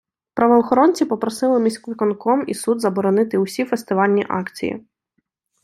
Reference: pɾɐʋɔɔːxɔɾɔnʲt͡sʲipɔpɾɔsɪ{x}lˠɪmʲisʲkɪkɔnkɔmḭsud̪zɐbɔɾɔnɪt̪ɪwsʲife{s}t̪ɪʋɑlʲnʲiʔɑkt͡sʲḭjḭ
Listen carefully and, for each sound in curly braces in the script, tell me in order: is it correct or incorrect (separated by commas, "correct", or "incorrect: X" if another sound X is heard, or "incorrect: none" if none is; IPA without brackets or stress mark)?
incorrect: none, correct